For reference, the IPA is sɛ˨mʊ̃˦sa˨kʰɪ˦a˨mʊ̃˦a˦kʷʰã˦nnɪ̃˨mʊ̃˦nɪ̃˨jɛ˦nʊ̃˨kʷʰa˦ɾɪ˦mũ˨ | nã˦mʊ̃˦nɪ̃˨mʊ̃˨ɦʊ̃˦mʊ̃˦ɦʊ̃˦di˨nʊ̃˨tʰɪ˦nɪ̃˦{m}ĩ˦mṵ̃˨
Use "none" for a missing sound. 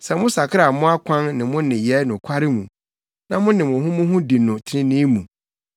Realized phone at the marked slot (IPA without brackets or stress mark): n